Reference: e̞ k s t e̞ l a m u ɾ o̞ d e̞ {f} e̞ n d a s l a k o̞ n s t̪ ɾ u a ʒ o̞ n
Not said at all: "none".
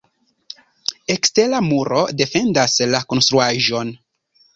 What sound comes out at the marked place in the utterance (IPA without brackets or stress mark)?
f